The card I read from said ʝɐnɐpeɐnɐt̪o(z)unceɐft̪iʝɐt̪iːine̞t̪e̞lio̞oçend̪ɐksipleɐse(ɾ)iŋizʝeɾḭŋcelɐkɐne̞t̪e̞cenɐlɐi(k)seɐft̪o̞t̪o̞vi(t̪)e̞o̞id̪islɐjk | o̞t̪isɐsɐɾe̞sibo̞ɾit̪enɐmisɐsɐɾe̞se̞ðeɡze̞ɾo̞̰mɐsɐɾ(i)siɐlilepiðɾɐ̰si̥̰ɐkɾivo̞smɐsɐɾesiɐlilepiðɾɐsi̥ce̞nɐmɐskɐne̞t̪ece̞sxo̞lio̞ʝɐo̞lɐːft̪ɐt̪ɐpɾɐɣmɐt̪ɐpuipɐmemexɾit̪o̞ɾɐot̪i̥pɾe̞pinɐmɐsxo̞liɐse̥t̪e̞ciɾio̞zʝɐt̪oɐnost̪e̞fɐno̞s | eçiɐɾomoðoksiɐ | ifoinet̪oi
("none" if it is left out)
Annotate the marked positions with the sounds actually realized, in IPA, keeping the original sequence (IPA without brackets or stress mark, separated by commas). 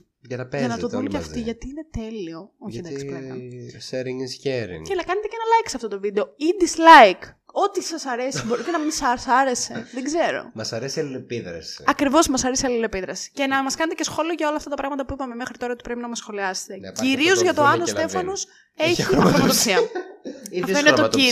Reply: ð, ɾ, k, d̪, e